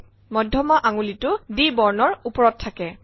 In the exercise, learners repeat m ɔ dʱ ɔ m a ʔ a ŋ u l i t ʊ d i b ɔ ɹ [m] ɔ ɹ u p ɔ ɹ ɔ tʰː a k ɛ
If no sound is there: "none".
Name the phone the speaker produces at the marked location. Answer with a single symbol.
n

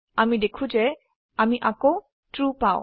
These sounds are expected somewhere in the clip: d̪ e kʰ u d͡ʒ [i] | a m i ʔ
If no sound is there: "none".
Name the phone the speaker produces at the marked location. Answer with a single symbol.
e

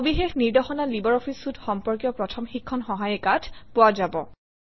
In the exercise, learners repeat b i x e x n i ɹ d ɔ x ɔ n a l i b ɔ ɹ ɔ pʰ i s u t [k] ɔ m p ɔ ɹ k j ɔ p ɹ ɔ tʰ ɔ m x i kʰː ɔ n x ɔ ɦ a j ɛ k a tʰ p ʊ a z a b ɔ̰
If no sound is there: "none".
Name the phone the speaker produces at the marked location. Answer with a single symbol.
x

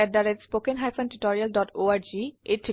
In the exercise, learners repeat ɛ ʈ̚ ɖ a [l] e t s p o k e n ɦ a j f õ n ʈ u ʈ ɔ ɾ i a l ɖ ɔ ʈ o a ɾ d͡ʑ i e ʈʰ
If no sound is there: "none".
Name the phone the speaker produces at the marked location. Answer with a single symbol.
ɾ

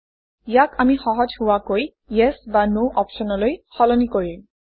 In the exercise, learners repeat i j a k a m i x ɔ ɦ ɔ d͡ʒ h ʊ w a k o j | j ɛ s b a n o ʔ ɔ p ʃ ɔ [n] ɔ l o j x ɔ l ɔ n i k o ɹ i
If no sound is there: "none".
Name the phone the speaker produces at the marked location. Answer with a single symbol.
n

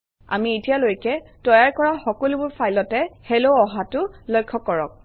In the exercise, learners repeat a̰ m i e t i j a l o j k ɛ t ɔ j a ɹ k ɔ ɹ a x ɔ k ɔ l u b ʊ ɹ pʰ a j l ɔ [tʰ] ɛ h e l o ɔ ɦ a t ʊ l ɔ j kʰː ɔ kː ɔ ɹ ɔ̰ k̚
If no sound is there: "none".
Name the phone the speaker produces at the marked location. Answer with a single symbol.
t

